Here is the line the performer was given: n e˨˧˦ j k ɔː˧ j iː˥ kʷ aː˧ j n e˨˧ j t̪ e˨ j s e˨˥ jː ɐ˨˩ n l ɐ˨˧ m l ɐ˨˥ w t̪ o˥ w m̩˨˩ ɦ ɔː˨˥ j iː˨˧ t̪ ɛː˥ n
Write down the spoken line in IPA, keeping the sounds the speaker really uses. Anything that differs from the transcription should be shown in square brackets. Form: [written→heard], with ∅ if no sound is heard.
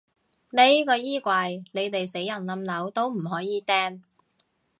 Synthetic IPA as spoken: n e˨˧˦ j k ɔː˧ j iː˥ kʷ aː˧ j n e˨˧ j t̪ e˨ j s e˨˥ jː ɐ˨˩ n l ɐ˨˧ m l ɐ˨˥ w t̪ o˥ w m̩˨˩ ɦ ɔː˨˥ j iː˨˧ t̪ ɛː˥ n